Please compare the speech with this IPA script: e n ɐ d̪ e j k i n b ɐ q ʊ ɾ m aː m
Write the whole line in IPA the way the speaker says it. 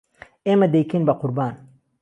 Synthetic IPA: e m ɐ d̪ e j k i n b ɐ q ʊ ɾ b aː n

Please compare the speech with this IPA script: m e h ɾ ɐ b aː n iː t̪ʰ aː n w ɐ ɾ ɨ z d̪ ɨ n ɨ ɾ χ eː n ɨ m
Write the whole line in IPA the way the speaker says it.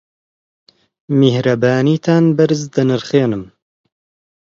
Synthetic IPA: m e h ɾ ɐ b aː n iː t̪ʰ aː n b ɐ ɾ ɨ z d̪ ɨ n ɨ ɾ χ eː n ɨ m

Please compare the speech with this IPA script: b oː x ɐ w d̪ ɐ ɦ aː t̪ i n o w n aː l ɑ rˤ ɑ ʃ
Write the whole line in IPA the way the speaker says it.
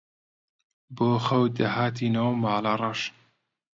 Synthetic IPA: b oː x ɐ w d̪ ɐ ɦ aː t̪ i n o w m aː l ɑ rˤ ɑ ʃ

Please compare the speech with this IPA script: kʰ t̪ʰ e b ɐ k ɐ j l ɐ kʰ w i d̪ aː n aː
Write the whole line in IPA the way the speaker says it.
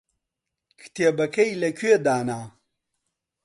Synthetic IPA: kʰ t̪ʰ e b ɐ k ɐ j l ɐ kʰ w e d̪ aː n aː

